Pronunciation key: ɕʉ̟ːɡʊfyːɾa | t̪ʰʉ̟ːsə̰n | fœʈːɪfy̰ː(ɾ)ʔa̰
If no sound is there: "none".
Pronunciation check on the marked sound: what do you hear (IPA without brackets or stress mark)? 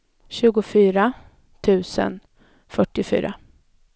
ɾ